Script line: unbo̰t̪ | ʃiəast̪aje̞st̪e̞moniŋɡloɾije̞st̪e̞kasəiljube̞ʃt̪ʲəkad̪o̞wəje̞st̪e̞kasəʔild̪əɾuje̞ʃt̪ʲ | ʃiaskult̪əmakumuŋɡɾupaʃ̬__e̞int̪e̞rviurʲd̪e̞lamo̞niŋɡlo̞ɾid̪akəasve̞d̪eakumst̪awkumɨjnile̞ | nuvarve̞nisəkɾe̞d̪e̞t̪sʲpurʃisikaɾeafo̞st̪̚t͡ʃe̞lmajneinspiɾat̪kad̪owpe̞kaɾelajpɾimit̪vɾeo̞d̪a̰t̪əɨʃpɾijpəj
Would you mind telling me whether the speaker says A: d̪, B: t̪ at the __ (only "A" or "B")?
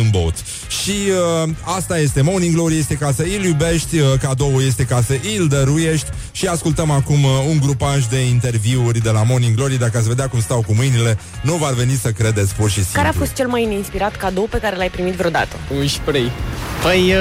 A